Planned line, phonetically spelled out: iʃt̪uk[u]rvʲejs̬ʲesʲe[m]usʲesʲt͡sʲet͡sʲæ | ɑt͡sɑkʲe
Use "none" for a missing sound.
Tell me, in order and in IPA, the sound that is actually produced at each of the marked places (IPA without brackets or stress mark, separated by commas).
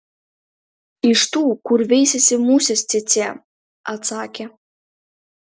u, m